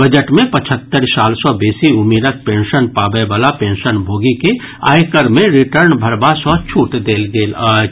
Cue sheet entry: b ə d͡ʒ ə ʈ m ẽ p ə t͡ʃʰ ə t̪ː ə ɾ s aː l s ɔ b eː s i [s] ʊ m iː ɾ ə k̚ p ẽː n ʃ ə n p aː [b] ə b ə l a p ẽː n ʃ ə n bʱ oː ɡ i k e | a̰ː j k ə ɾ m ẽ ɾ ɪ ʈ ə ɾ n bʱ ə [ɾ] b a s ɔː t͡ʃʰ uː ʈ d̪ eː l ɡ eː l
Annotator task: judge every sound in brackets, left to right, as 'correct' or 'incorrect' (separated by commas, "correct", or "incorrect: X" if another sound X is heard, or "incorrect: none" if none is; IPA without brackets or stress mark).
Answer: incorrect: none, correct, correct